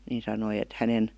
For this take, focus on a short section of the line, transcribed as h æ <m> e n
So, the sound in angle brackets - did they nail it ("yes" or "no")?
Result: no